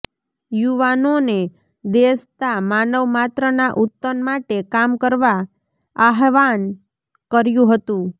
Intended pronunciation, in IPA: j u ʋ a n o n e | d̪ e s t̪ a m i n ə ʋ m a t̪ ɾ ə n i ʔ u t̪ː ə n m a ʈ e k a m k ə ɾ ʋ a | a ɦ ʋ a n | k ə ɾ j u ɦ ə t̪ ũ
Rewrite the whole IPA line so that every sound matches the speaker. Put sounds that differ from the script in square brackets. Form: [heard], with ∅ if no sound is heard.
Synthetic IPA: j u ʋ a n o n e | d̪ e s t̪ a m [a] n ə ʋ m a t̪ ɾ ə n [a] ʔ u t̪ː ə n m a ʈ e k a m k ə ɾ ʋ a | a ɦ ʋ a n | k ə ɾ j [ũ] ɦ ə t̪ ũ